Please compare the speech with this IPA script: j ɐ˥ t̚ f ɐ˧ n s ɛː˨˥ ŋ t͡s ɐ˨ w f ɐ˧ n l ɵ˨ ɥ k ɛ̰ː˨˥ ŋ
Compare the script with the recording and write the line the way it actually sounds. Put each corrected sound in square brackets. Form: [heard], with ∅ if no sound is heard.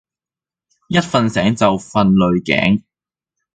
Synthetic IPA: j ɐ˥ t̚ f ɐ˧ n s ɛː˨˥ ŋ t͡s ɐ˨ w f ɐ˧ n l ɵ˨ ɥ k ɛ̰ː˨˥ ŋ